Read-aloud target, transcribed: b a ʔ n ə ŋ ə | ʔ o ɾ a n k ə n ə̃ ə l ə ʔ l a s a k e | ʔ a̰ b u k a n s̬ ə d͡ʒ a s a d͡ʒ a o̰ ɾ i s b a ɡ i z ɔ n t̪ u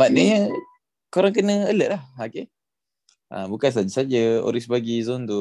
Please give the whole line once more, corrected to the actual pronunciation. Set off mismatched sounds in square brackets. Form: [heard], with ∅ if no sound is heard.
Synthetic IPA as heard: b a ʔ n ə [ɲ] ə | [k] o ɾ a [ŋ] k ə n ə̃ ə l ə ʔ l a [h] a k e | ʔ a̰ b u k a n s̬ [a] d͡ʒ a s a d͡ʒ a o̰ ɾ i s b a ɡ i z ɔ n t̪ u